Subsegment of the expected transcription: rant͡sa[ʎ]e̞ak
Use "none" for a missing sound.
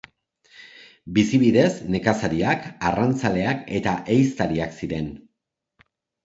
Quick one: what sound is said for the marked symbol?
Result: l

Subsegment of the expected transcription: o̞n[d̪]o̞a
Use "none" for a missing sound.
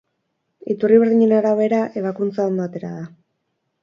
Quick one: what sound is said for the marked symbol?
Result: d̪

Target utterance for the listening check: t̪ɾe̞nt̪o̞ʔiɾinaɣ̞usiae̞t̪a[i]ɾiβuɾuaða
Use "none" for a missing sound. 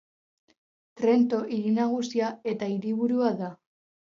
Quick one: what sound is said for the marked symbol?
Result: i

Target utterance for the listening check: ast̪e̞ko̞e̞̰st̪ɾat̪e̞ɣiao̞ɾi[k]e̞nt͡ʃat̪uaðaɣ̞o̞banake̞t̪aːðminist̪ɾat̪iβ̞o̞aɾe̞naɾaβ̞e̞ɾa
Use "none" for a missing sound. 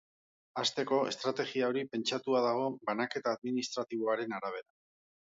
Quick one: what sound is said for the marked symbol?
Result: p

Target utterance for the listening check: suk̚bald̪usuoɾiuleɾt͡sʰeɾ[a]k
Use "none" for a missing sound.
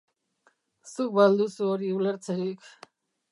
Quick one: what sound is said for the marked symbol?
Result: i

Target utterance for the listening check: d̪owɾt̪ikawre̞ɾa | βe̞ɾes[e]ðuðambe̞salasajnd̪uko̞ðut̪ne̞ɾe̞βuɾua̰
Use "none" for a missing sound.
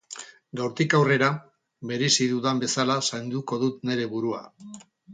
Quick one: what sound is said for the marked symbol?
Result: i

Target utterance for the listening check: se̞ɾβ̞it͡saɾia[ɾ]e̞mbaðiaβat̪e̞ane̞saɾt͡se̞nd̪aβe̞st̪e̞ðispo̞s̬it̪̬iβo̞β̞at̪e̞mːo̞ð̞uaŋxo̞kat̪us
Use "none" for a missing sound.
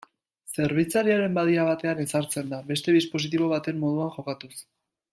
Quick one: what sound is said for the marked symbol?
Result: ɾ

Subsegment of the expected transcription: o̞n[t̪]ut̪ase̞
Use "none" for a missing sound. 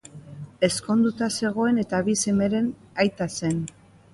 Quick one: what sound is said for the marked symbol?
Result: d̪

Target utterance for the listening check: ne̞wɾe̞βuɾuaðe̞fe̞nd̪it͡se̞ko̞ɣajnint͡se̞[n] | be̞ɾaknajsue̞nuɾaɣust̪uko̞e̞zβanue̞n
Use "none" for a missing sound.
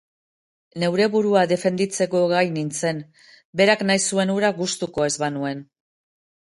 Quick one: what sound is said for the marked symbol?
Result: n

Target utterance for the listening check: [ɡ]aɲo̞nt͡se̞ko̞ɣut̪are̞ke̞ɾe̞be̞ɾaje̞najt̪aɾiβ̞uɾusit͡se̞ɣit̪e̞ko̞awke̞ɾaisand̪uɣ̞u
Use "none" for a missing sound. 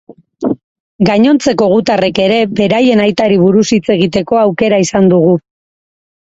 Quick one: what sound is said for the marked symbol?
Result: ɡ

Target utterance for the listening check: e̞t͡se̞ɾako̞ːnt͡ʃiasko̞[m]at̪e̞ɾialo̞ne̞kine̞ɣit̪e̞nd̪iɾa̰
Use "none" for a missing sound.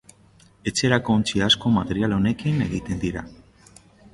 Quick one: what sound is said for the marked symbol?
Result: m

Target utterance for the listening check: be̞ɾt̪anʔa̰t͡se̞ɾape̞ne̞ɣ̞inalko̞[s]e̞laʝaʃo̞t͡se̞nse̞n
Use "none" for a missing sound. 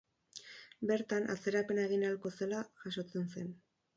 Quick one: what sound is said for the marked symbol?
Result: s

